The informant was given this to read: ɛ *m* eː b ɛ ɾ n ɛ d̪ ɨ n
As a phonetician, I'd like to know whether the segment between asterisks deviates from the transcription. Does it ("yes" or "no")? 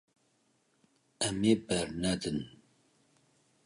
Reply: no